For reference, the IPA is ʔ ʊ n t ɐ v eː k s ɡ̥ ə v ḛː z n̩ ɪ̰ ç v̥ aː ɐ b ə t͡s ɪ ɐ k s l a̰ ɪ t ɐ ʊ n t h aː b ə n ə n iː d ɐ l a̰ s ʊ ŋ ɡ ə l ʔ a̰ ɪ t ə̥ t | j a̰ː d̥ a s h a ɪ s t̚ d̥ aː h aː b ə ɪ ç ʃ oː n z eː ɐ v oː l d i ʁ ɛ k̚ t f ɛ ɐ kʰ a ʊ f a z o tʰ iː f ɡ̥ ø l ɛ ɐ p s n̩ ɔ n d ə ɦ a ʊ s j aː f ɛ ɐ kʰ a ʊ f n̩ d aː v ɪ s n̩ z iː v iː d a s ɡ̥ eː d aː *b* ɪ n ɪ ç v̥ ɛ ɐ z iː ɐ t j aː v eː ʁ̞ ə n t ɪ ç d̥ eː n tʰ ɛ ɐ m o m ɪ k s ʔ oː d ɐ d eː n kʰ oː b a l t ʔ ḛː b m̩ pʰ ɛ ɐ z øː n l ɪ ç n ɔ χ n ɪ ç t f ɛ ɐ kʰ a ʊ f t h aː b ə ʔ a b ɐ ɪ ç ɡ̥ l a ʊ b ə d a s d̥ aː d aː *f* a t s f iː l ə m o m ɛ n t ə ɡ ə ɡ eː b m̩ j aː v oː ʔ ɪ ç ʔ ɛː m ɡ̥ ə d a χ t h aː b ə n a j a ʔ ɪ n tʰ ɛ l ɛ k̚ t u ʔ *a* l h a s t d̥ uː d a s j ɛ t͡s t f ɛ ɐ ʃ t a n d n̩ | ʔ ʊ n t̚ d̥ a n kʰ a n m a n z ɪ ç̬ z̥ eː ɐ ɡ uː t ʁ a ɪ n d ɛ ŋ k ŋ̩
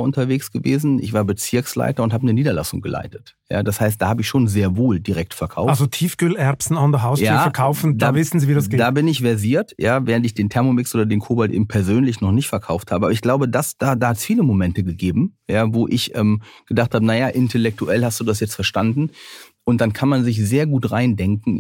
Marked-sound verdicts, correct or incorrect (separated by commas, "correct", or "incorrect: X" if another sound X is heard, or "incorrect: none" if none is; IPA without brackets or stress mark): correct, incorrect: h, incorrect: ɛ